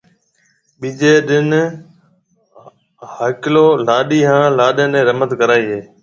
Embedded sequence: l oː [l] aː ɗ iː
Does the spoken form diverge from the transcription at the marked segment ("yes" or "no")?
no